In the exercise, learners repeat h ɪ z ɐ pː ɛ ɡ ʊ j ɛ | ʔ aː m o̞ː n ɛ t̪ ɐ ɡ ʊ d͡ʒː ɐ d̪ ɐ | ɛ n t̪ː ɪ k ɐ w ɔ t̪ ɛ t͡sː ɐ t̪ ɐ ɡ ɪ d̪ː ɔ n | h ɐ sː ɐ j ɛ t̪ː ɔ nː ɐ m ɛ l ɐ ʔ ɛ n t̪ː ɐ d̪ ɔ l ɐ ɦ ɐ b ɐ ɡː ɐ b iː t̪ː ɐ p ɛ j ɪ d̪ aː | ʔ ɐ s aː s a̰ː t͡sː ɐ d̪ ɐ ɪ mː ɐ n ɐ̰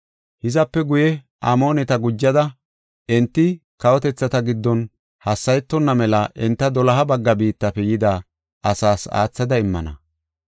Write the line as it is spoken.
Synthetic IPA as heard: h ɪ z ɐ pː ɛ ɡ ʊ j ɛ | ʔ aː m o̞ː n ɛ t̪ ɐ ɡ ʊ d͡ʒː ɐ d̪ ɐ | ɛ n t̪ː ɪ k ɐ w ɔ t̪ ɛ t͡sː ɐ t̪ ɐ ɡ ɪ d̪ː ɔ n | h ɐ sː ɐ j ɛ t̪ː ɔ nː ɐ m ɛ l ɐ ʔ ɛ n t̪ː ɐ d̪ ɔ l ɐ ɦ ɐ b ɐ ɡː ɐ b iː t̪ː ɐ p ɛ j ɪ d̪ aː | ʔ ɐ s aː s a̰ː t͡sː ɐ d̪ ɐ ɪ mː ɐ n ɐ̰